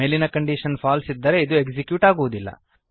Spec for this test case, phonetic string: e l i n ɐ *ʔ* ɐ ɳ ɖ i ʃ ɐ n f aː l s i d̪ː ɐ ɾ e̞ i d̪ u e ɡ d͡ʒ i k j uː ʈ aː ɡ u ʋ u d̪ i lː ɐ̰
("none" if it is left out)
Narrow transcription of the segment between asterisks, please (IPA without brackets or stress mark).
k